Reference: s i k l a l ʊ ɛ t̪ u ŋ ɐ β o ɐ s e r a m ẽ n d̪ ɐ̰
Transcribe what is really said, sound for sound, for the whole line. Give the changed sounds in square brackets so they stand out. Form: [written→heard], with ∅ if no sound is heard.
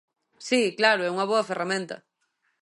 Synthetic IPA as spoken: s i k l a [l→ɾ] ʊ ɛ [t̪→∅] u ŋ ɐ β o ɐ [s→f] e r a m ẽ n [d̪→t̪] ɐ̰